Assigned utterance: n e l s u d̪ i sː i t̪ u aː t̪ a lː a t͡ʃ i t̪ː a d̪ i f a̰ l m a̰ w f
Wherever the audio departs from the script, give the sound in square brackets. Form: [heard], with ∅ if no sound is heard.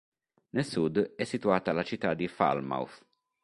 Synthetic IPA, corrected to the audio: n e l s u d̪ [ɛ] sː i t̪ u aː t̪ a [l] a t͡ʃ i t̪ː a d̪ i f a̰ l m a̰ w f